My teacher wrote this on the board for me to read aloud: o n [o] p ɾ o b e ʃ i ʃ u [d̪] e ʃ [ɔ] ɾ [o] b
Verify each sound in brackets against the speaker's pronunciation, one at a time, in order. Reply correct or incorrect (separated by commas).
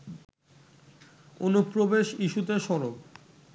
incorrect, incorrect, correct, correct